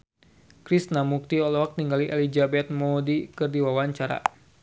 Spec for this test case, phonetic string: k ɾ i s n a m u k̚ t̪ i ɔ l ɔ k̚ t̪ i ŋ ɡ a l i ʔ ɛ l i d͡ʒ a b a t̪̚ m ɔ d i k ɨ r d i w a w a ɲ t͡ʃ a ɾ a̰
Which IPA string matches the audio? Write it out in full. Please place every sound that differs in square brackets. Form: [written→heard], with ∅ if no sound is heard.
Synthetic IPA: k ɾ i s n a m u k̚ t̪ i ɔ l ɔ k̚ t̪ i ŋ ɡ a l i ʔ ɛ l i d͡ʒ a b [a→ɛ] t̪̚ m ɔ d i k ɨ r d i w a w a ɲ t͡ʃ a ɾ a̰